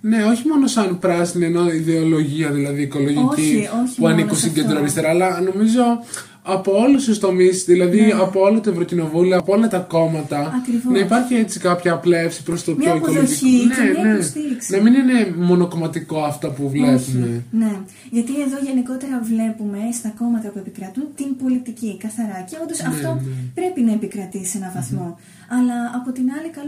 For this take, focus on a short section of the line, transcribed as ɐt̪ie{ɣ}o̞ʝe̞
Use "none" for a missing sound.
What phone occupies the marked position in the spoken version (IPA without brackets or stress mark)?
ð